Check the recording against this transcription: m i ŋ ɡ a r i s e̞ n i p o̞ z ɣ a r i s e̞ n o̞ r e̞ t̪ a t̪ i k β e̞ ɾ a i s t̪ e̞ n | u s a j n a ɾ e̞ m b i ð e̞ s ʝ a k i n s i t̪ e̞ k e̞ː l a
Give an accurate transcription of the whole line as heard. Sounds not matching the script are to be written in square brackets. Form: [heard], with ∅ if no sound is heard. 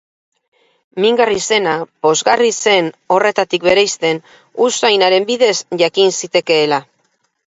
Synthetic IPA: m i ŋ ɡ a r i s e̞ n [a] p o̞ z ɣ a r i s e̞ n o̞ r e̞ t̪ a t̪ i k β e̞ ɾ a [j] s t̪ e̞ n | u s a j n a ɾ e̞ m b i ð e̞ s ʝ a k i n s i t̪ e̞ k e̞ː l a